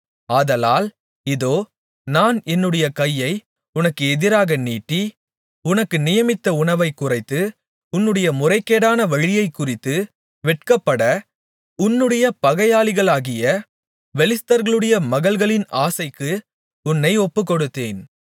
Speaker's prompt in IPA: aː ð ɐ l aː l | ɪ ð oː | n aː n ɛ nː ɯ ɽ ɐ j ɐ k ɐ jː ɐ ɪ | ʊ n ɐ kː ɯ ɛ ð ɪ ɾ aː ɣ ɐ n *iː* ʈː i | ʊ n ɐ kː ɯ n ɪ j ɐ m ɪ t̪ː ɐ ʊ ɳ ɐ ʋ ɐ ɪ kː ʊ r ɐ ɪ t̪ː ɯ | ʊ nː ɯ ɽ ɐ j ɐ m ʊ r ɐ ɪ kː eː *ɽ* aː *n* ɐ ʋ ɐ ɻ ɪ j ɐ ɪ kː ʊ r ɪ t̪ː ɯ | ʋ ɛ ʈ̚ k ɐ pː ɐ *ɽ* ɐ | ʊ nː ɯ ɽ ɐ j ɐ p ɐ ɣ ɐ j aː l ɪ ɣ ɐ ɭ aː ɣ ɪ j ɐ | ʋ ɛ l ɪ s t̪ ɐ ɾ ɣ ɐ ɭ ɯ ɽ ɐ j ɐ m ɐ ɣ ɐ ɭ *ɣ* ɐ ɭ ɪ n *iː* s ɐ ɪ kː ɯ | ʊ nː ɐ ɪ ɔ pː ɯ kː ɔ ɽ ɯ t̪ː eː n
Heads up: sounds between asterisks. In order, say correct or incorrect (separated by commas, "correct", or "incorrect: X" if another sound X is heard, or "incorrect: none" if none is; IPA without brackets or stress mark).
correct, correct, correct, correct, correct, incorrect: aː